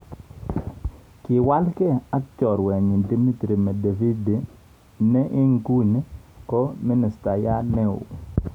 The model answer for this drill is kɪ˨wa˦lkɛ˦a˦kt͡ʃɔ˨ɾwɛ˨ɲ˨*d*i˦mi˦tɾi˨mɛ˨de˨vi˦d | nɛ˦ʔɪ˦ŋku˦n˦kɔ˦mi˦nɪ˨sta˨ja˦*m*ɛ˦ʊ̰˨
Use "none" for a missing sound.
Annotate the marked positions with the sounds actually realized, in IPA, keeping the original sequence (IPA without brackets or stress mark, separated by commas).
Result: d, n